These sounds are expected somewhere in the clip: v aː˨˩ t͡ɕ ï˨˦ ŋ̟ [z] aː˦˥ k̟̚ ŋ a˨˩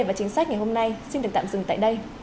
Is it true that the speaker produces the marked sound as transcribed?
no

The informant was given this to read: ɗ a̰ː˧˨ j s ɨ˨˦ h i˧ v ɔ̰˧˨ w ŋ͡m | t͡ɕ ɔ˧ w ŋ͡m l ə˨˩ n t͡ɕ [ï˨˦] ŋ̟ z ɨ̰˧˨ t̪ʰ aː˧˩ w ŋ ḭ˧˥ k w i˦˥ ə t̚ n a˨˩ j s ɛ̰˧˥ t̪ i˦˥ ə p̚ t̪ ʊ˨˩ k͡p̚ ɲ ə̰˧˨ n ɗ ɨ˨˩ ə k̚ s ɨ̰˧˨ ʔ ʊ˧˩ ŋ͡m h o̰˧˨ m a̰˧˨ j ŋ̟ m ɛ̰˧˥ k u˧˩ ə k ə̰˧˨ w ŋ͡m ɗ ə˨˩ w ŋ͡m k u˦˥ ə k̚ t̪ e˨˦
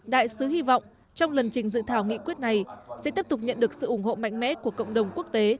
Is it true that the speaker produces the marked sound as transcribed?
no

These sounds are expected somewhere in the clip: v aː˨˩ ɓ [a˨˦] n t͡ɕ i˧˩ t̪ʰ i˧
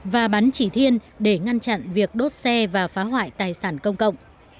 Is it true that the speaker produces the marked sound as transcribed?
yes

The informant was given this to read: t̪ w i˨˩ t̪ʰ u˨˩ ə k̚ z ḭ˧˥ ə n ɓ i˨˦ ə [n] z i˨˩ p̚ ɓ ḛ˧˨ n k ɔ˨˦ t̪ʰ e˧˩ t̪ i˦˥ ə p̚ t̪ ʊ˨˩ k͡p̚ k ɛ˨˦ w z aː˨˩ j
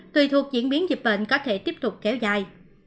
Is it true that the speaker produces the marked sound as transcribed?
yes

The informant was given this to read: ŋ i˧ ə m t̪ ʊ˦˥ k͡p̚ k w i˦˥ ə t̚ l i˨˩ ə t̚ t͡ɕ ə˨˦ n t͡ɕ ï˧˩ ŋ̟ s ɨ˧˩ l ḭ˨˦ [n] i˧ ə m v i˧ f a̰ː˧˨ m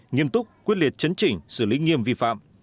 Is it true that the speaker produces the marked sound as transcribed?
no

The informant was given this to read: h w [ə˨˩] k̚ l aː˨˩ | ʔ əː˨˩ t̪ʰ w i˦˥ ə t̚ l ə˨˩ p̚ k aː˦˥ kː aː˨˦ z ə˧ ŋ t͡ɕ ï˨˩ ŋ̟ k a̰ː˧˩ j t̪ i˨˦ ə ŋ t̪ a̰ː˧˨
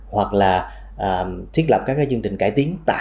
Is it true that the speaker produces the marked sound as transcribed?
no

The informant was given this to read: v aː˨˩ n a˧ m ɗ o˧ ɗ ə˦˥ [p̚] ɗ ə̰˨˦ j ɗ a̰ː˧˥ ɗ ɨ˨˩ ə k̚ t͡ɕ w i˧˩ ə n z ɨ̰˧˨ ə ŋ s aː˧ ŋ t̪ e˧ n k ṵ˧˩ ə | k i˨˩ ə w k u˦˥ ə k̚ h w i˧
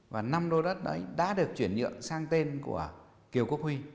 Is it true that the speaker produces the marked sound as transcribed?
no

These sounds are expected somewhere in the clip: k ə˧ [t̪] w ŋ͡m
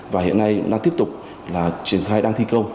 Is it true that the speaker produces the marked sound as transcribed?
no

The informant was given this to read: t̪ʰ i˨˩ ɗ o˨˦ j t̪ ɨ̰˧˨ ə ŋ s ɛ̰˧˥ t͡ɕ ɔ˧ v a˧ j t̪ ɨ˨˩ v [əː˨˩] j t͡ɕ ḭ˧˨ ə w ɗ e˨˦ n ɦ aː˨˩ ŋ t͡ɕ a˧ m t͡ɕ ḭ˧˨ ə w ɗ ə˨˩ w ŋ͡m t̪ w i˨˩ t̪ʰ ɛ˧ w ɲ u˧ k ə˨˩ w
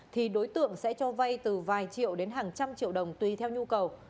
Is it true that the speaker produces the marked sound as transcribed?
no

